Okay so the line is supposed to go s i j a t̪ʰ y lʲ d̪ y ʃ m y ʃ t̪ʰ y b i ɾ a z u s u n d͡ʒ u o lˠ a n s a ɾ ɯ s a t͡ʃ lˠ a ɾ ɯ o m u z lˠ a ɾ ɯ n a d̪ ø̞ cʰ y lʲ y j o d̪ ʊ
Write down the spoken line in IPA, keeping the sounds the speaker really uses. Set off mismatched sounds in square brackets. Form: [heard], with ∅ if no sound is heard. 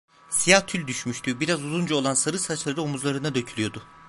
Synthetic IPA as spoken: s i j a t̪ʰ y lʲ d̪ y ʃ m y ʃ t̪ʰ y b i ɾ a z u [z] u n d͡ʒ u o lˠ a n s a ɾ ɯ s a t͡ʃ lˠ a ɾ ɯ o m u z lˠ a ɾ ɯ n a d̪ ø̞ cʰ y lʲ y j o d̪ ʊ